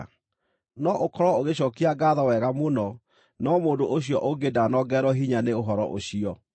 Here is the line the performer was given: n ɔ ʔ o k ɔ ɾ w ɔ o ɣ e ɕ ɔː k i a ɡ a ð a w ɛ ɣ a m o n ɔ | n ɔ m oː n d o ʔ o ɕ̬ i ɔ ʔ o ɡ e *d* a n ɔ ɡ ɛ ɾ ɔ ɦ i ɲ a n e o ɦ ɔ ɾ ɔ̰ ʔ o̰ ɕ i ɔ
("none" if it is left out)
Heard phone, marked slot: d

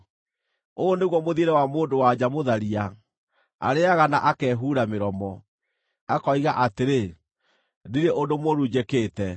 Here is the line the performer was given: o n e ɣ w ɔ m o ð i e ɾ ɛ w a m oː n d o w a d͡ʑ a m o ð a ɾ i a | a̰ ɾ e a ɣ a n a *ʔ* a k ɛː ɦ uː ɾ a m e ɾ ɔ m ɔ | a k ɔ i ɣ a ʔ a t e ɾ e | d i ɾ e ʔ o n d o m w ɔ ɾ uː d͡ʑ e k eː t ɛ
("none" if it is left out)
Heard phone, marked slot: ʔ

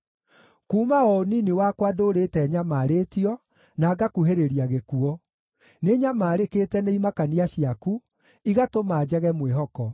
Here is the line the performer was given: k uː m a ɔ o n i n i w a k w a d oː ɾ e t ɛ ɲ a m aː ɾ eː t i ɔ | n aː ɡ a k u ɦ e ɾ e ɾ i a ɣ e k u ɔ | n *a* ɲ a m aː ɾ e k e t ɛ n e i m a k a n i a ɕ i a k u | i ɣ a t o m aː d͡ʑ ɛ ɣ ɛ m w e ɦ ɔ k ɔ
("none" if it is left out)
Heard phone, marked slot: e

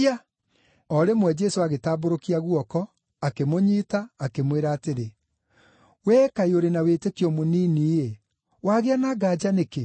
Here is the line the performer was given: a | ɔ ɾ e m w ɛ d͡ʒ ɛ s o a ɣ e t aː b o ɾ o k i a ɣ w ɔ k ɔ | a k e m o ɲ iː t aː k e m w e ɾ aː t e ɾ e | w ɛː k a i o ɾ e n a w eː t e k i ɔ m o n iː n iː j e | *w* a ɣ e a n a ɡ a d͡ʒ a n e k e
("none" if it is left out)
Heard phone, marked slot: w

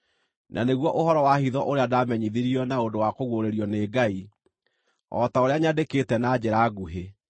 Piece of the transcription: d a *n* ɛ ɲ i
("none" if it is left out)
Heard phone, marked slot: m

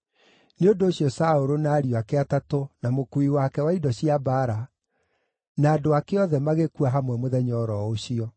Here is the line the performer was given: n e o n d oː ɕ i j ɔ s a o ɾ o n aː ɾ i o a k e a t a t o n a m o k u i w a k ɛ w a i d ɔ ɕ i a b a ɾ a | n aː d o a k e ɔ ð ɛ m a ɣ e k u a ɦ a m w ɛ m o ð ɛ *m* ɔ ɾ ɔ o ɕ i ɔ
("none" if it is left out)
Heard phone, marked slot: ɲ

